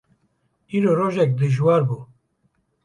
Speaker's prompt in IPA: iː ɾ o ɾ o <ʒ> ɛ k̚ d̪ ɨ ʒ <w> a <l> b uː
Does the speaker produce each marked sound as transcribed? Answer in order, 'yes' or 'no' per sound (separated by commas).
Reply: yes, yes, no